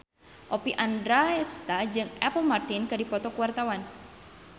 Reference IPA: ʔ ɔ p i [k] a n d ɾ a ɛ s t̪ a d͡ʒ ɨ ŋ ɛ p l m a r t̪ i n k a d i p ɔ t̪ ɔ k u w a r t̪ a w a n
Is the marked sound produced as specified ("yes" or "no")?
no